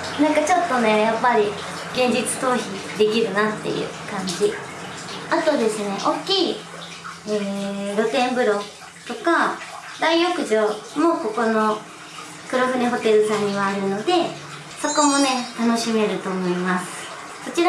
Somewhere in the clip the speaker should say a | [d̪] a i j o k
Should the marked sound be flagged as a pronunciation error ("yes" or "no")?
no